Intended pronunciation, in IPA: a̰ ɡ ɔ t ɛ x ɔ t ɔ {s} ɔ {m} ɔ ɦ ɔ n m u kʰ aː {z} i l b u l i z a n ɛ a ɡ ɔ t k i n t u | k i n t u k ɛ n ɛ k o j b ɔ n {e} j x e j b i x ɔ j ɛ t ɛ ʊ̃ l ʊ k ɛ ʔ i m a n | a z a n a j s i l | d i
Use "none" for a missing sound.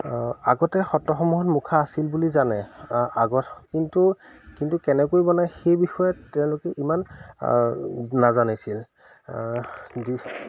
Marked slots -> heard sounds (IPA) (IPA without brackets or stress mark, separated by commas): x, m, s, a